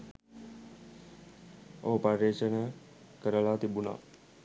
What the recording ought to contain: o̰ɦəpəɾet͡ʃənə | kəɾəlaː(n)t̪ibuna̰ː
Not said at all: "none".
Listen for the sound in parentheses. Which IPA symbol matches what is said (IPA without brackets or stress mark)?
none